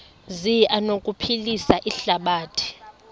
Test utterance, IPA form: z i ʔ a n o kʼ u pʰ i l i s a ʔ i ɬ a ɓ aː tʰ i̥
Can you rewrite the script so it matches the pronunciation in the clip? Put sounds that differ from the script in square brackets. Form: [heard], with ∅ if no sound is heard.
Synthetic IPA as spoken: z i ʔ a n o kʼ u pʰ i l i s a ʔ i ɬ a ɓ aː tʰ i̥